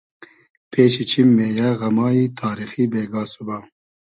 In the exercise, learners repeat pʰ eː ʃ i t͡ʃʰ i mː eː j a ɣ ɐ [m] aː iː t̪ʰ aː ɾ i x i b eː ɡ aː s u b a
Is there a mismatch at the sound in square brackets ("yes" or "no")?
no